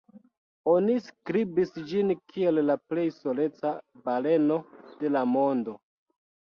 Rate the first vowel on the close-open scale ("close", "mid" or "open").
mid